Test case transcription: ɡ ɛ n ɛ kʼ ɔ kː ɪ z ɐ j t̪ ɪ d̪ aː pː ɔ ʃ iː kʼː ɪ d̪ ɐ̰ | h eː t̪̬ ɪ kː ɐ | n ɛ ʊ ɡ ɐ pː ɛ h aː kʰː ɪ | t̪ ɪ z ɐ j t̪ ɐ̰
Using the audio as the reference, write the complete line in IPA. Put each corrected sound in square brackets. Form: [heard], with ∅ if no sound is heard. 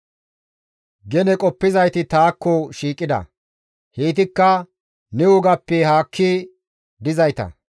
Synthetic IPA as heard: ɡ ɛ n ɛ kʼ ɔ [pː] ɪ z ɐ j t̪ ɪ [t̪] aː [kː] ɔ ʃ iː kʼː ɪ d̪ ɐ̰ | h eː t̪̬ ɪ kː ɐ | n ɛ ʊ ɡ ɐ pː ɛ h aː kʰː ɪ | [d̪] ɪ z ɐ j t̪ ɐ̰